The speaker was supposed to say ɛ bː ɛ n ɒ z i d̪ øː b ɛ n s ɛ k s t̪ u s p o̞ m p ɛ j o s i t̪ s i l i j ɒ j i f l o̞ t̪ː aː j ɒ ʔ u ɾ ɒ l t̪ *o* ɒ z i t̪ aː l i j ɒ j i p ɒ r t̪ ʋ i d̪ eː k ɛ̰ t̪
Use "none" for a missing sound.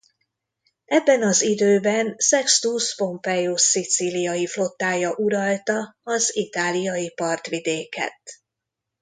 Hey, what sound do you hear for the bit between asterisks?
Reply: ɒ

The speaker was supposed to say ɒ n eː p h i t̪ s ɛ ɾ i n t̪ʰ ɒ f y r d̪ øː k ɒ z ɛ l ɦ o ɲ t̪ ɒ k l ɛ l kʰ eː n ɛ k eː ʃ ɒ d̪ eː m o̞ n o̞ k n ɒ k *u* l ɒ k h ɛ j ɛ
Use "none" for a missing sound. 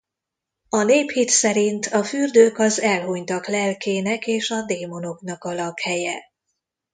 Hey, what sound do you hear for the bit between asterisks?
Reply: ɒ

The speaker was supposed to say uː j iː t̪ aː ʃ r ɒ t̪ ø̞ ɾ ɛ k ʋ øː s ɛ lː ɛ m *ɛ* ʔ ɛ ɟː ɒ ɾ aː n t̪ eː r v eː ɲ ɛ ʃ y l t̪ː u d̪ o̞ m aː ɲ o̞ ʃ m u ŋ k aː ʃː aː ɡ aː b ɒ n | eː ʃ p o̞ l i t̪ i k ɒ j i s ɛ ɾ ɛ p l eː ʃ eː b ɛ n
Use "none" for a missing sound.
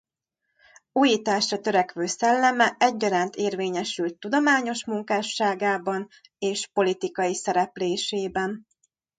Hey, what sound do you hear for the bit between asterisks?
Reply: ɛ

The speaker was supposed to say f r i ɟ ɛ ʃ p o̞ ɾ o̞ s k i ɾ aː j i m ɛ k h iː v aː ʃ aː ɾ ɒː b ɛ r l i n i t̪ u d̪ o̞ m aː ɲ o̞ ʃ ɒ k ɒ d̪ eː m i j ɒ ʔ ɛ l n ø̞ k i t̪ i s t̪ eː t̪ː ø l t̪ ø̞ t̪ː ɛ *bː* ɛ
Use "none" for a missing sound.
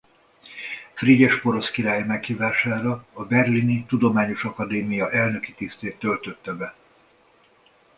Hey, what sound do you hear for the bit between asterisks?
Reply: b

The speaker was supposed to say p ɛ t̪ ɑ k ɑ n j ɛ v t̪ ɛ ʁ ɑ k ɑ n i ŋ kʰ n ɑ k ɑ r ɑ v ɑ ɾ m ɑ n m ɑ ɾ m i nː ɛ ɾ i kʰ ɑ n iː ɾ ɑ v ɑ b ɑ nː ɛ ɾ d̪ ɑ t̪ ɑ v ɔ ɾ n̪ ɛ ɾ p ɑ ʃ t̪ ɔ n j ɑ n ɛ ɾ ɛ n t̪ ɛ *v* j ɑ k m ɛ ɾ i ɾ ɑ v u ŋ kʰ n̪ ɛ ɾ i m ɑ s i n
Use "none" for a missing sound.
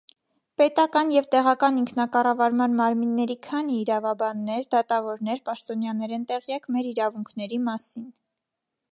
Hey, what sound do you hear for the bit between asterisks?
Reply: ʁ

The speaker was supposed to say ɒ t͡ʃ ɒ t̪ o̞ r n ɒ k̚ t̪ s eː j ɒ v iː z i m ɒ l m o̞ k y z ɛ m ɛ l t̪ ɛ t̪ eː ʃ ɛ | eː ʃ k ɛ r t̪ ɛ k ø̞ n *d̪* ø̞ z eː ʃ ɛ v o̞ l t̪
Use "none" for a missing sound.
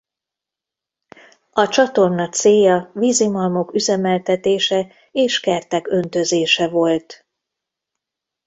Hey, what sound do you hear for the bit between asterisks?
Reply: t̪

